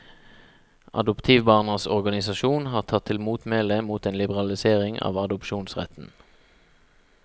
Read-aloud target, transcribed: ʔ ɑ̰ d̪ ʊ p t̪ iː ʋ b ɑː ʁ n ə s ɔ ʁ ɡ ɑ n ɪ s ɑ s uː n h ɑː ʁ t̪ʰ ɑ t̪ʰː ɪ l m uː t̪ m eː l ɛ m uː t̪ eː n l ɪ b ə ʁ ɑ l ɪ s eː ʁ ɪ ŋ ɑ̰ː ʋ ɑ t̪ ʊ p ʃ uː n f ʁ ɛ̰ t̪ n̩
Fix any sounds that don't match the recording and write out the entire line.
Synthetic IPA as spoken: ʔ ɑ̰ d̪ ʊ p t̪ʰ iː ʋ b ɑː ʁ n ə s ɔ ʁ ɡ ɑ n ɪ s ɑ ʃ uː n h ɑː ʁ t̪ʰ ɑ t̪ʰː ɪ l m uː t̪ m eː l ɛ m uː t̪ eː n l ɪ b ə ʁ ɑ l ɪ s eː ʁ ɪ ŋ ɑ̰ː ʋ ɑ d̪ ʊ p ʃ uː n s ʁ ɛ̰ t̪ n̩